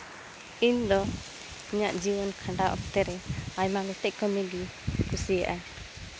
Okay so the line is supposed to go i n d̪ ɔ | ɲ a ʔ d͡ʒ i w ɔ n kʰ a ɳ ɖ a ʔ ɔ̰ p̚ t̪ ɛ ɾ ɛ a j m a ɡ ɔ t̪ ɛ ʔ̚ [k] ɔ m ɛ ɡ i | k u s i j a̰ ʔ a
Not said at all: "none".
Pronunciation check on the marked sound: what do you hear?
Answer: k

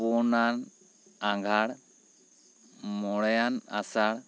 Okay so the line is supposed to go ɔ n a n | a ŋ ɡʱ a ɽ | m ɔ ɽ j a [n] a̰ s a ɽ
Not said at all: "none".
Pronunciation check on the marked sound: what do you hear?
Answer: n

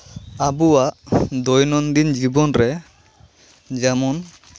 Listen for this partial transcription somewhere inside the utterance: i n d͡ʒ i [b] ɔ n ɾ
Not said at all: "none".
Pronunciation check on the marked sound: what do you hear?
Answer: b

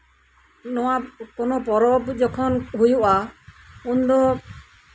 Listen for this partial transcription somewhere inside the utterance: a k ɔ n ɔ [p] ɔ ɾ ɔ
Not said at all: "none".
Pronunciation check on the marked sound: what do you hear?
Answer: p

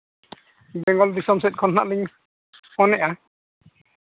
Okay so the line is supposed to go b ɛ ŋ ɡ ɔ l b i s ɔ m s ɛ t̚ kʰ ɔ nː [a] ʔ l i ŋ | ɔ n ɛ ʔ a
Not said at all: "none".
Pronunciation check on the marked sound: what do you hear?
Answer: a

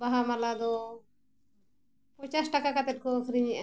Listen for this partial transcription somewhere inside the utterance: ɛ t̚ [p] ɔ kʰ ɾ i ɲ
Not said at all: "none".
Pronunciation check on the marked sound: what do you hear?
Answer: k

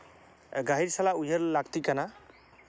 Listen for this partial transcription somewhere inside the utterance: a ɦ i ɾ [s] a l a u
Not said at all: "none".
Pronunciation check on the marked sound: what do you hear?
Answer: s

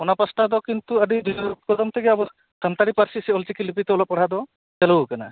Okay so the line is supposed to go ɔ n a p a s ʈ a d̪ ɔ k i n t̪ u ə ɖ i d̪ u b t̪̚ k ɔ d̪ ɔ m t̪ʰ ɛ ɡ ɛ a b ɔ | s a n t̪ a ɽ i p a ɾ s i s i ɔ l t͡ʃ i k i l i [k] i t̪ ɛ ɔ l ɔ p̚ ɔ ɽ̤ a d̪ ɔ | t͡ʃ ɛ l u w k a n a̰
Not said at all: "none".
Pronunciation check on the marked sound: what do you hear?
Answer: p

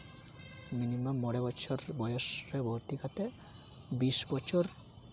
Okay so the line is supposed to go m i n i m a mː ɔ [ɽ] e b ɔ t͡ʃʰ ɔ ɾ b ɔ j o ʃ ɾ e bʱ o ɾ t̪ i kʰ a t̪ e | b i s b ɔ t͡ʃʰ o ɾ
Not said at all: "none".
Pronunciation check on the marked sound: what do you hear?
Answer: ɽ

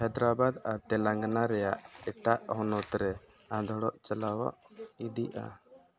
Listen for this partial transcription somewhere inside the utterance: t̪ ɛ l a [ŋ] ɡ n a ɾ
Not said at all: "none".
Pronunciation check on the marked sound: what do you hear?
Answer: ŋ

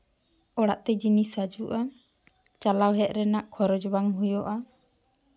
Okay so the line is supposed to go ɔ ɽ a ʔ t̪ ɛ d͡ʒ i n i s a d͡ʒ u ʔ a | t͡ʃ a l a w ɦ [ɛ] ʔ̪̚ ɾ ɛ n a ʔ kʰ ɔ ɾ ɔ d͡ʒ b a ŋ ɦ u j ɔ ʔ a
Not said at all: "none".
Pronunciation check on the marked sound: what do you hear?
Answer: ɛ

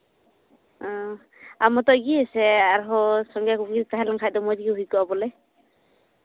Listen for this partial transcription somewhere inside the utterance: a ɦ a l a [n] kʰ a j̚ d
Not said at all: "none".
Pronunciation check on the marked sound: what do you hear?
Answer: ŋ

